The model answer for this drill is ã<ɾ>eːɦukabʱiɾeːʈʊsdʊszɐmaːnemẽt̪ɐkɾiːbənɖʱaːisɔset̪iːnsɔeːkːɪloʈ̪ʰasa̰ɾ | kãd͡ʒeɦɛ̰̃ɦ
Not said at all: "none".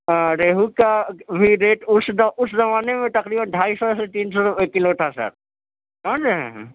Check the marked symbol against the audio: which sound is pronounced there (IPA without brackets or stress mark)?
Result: ɾ